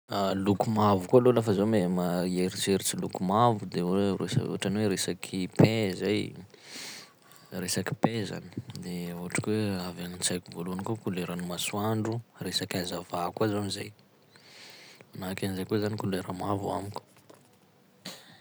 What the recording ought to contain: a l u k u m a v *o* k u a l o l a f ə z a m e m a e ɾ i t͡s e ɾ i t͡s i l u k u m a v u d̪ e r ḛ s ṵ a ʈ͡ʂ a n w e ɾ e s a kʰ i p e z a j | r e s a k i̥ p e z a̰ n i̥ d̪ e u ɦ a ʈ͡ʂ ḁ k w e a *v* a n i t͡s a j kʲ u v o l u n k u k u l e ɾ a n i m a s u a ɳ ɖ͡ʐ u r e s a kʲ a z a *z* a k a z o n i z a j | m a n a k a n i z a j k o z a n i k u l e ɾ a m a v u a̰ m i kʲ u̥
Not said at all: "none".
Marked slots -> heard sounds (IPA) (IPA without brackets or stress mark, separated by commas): u, v, v